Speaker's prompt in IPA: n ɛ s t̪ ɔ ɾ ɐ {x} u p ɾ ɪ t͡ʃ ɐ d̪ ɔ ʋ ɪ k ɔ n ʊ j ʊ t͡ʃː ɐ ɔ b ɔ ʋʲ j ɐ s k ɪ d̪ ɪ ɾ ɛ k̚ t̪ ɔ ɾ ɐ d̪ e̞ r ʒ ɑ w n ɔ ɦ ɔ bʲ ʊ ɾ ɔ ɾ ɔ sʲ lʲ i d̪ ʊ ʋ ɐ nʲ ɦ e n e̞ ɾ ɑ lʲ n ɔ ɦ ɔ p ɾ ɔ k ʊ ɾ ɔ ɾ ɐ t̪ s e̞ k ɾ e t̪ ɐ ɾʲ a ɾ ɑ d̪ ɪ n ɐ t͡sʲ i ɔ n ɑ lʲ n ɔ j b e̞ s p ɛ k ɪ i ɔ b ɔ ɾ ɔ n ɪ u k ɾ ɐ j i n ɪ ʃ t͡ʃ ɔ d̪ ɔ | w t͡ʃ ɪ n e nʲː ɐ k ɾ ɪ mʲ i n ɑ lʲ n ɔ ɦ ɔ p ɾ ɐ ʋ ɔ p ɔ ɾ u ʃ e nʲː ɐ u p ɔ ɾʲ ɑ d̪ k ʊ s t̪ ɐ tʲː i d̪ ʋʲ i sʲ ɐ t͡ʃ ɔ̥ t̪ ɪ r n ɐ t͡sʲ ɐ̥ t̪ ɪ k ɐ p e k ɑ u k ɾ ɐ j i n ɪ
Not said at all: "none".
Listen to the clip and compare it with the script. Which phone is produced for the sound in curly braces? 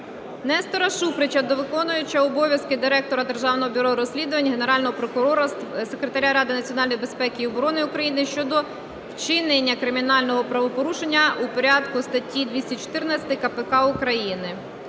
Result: ʃ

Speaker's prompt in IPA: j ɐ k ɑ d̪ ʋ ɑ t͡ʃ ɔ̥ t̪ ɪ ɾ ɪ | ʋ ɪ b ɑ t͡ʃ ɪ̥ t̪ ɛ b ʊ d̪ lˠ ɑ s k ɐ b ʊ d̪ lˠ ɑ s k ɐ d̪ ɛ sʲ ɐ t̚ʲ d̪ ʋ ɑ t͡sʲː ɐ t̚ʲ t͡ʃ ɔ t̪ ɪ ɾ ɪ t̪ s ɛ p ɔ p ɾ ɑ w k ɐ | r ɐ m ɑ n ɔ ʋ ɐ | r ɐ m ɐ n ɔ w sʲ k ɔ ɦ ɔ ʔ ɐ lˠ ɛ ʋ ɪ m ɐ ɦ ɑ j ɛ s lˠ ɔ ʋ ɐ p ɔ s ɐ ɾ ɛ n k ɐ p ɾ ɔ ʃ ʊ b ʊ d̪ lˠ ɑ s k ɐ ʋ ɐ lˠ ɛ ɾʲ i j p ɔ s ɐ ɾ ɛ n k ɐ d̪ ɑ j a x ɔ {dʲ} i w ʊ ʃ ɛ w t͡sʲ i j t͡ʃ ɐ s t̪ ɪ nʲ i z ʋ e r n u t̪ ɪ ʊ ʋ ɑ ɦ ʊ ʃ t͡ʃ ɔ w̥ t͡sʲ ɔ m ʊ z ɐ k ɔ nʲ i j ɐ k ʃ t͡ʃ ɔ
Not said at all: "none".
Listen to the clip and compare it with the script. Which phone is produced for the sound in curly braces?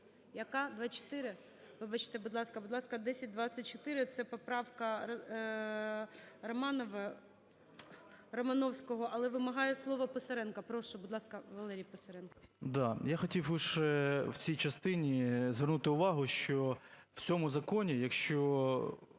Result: tʲ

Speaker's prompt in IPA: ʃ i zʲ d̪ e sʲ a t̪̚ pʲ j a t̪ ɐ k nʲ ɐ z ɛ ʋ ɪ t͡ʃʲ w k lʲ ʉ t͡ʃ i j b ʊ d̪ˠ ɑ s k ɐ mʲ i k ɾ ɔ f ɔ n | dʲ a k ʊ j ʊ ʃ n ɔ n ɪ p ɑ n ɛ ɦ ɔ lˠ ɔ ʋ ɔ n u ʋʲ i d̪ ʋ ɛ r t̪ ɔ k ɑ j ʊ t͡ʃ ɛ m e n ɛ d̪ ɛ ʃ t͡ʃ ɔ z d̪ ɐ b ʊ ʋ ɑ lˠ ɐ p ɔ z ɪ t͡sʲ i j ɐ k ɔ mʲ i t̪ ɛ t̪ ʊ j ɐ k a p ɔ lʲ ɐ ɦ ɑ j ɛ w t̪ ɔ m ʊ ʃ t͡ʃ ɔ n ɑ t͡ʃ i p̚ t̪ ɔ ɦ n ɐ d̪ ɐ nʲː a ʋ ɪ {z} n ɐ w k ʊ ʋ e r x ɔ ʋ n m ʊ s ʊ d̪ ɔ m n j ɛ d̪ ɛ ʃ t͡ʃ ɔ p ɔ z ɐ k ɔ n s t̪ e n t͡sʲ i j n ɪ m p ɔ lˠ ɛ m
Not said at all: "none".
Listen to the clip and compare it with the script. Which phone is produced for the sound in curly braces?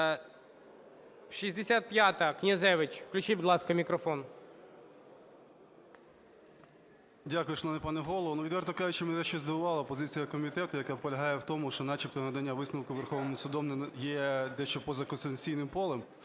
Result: s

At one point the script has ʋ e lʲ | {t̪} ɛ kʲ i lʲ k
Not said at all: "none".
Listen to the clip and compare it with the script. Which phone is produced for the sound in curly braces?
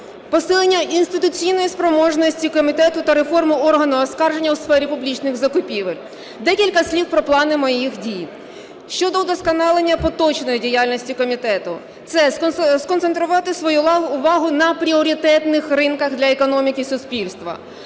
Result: d̪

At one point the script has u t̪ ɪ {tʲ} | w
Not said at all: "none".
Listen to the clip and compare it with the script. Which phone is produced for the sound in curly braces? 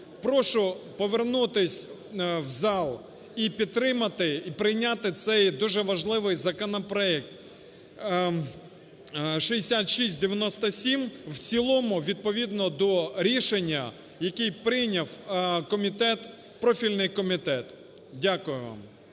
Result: sʲ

